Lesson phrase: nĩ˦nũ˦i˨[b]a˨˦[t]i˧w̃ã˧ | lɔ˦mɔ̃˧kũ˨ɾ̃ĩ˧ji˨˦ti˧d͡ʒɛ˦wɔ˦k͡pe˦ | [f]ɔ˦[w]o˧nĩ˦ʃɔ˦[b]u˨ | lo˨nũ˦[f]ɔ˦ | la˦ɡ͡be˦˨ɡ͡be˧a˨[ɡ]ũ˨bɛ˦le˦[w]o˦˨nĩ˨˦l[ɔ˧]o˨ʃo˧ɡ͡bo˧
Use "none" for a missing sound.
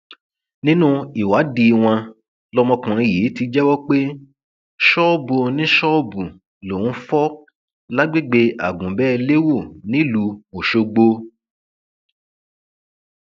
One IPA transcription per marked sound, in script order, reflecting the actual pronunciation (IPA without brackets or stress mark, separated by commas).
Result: w, d, ʃ, b, b, f, ɡ, w, u˧